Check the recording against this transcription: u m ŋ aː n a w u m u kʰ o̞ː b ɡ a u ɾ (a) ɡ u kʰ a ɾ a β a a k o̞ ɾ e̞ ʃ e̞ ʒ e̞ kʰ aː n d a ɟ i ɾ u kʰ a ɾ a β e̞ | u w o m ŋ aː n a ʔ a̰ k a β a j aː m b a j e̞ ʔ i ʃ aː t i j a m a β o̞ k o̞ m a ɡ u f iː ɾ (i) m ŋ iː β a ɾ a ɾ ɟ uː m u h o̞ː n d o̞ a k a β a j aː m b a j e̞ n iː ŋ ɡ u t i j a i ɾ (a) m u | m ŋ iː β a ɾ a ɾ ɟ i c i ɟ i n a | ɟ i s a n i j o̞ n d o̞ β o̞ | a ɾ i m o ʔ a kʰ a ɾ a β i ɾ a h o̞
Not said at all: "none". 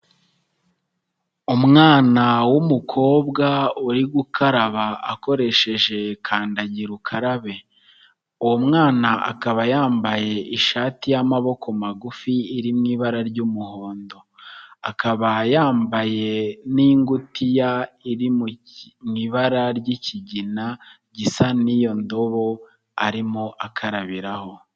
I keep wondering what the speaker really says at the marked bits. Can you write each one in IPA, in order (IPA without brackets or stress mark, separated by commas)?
i, i, i